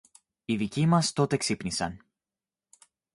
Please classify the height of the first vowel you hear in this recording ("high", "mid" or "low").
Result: high